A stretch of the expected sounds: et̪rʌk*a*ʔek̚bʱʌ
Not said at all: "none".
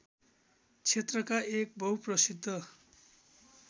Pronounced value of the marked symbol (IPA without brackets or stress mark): a